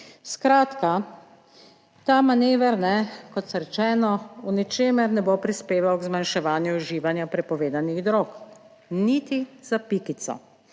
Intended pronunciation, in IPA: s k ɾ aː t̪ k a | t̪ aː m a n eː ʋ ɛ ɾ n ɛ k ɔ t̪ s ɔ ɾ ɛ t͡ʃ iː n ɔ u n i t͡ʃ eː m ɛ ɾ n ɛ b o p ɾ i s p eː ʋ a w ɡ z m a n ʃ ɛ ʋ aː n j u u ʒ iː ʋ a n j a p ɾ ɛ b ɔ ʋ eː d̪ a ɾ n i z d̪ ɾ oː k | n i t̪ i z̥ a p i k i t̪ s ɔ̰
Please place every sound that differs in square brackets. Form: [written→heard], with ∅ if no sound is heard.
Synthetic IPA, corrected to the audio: s k ɾ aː t̪ k a | t̪ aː m a n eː ʋ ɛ ɾ n ɛ k ɔ t̪ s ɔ ɾ ɛ t͡ʃ [iː→ɛː] n ɔ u n i t͡ʃ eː m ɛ ɾ n ɛ b o p ɾ i s p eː ʋ a w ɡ z m a n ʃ ɛ ʋ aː n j u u ʒ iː ʋ a n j a p ɾ ɛ [b→p] ɔ ʋ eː d̪ a [ɾ→∅] n i [z→ɣ] d̪ ɾ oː k | n i t̪ i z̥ a p i k i t̪ s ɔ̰